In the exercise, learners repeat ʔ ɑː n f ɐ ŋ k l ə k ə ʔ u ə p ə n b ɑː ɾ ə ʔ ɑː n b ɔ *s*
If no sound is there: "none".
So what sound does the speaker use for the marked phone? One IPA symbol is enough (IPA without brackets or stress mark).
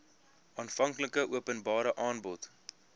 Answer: t